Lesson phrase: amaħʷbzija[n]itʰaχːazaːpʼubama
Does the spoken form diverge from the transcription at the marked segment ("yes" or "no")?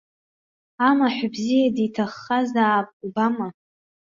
yes